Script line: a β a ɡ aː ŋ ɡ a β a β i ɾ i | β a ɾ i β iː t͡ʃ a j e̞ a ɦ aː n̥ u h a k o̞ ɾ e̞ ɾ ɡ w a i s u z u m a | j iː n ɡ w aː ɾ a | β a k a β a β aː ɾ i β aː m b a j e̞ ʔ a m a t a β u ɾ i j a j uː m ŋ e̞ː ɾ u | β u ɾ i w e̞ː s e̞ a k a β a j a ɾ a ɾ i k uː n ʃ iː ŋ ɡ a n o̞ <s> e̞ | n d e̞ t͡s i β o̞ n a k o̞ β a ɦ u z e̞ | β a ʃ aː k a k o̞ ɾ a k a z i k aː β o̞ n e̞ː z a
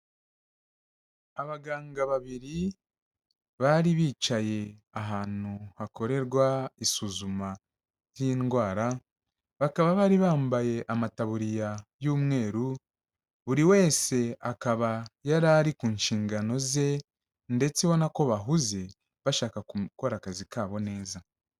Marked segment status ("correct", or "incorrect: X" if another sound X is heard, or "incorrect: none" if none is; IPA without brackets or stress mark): incorrect: z